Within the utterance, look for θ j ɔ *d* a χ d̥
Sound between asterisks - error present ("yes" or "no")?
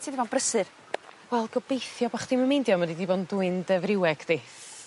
yes